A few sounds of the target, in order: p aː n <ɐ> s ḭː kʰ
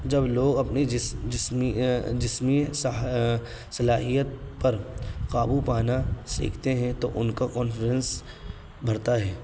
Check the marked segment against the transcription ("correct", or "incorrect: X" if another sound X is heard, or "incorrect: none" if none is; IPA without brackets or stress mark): incorrect: a